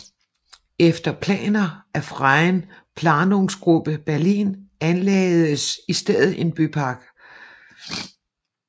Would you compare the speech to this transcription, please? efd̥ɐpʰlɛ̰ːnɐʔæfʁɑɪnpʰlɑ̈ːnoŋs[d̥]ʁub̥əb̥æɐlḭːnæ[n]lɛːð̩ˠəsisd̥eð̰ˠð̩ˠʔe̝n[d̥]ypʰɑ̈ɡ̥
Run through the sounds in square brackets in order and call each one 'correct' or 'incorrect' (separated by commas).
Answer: incorrect, correct, incorrect